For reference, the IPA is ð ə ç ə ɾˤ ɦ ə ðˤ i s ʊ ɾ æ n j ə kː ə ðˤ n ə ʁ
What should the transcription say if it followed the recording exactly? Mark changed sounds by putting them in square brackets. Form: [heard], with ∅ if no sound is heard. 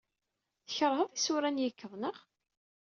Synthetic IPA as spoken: [θ] ə ç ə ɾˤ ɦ ə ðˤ i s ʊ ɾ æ n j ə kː ə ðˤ n ə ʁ